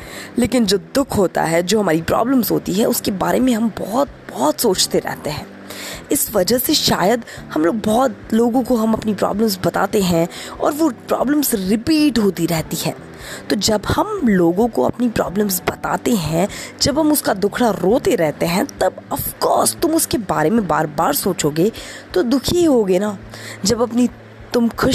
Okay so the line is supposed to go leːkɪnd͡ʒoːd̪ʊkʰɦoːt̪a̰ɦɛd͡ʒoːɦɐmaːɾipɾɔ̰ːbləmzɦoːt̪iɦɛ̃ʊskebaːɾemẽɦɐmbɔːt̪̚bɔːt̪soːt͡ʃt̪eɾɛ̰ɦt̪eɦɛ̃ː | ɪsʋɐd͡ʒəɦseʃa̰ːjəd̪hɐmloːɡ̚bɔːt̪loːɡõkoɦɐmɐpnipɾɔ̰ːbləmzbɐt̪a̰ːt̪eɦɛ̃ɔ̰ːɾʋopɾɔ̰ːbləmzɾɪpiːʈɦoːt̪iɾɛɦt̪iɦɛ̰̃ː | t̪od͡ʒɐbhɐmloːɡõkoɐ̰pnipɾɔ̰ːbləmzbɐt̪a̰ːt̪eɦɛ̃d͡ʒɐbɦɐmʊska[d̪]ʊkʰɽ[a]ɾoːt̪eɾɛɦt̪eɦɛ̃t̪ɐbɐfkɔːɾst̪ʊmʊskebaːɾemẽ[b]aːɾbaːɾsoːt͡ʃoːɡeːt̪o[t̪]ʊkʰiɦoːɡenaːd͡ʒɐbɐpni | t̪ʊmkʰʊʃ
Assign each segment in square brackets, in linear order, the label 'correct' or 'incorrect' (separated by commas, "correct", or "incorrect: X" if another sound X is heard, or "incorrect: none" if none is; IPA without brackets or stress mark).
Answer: correct, correct, correct, incorrect: d̪